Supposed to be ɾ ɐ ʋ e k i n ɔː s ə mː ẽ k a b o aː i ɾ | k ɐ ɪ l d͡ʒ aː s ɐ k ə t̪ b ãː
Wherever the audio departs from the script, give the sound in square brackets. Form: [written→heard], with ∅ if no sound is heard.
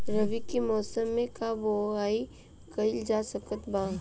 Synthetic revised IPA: ɾ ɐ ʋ [e→i] k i [n→m] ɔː s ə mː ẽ k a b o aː i [ɾ→∅] | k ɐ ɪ l d͡ʒ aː s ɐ k ə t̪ b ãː